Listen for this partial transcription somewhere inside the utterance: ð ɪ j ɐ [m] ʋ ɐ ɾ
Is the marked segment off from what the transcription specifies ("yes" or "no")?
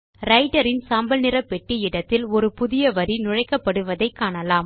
yes